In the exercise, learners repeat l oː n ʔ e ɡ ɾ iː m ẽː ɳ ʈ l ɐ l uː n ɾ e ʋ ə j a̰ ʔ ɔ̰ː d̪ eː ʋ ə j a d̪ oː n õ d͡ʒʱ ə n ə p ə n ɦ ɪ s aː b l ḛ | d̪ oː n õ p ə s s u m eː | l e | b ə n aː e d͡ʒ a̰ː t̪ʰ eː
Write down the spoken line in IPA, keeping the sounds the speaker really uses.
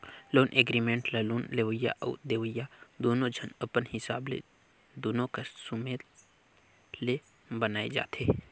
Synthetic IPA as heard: l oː n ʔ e ɡ ɾ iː m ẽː ɳ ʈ l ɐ l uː n l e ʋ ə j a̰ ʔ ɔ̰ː d̪ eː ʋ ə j a d̪ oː n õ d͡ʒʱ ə n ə p ə n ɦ ɪ s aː b l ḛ | d̪ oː n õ k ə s s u m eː | l e | b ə n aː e d͡ʒ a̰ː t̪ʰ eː

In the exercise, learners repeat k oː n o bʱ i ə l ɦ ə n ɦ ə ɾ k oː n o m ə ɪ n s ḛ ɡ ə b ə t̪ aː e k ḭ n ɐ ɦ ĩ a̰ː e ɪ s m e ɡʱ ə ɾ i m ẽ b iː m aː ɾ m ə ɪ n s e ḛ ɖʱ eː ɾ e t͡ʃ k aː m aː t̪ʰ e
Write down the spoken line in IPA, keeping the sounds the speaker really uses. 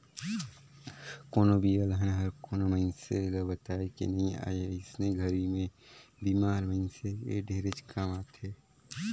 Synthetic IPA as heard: k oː n o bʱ i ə l ɦ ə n ɦ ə ɾ k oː n o m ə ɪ n s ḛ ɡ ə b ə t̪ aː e k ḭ n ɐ ɦ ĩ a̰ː e ɪ s n e ɡʱ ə ɾ i m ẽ b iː m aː ɾ m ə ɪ n s e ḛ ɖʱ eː ɾ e t͡ʃ k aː m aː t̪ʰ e

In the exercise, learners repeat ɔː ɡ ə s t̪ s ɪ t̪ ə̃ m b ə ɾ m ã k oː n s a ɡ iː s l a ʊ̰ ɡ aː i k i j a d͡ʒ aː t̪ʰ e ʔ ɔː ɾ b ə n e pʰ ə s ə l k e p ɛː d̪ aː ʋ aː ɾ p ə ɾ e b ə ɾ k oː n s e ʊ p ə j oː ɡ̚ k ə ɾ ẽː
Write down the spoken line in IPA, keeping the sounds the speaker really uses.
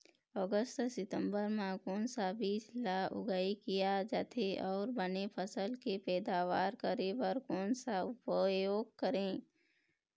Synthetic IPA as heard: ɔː ɡ ə s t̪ s ɪ t̪ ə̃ m b ə ɾ m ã k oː n s a b iː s l a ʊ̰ ɡ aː i k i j a d͡ʒ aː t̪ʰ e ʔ ɔː ɾ b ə n e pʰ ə s ə l k e p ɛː d̪ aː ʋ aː ɾ k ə ɾ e b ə ɾ k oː n s a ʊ p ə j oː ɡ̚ k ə ɾ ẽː

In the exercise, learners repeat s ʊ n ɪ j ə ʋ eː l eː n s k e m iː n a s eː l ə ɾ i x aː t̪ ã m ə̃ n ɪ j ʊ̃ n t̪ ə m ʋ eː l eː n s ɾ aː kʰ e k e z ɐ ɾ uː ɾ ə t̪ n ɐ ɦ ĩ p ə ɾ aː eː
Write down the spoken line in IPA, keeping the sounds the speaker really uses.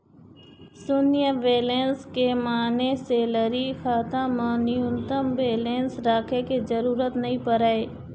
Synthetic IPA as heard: s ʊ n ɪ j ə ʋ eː l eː n s k e m aː n e s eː l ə ɾ i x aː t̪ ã m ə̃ n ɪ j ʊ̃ n t̪ ə m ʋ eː l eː n s ɾ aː kʰ e k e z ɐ ɾ uː ɾ ə t̪ n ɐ ɦ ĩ p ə ɾ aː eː

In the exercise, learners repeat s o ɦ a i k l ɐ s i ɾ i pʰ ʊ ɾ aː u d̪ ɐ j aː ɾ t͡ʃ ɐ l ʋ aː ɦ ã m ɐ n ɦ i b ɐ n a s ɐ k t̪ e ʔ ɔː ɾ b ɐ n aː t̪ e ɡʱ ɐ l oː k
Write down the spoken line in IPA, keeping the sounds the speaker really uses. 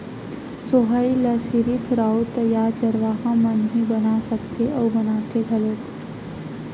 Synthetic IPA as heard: s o ɦ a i l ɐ s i ɾ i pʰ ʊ ɾ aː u t̪ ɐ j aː ɾ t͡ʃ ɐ ɾ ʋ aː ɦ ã m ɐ n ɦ i b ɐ n a s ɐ k t̪ e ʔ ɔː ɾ b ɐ n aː t̪ e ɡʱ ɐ l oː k

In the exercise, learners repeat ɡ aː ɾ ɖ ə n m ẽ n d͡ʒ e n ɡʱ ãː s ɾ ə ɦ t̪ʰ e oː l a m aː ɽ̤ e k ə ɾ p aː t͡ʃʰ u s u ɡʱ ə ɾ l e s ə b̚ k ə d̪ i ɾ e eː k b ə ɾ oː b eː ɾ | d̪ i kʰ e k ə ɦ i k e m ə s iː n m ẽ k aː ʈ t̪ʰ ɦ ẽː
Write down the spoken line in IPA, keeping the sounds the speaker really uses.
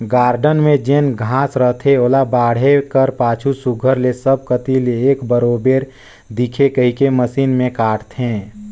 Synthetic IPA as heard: ɡ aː ɾ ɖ ə n m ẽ d͡ʒ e n ɡʱ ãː s ɾ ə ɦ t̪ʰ e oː l a b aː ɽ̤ e k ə ɾ p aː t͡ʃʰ u s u ɡʱ ə ɾ l e s ə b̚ k ə t̪ i l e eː k b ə ɾ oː b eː ɾ | d̪ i kʰ e k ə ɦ i k e m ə s iː n m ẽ k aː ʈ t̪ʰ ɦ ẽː

